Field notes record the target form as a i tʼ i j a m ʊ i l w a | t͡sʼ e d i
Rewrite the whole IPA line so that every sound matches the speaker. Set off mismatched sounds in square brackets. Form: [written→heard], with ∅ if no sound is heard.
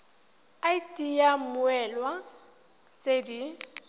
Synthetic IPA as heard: a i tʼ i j a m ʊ [i→ɛ] l w a | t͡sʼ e d i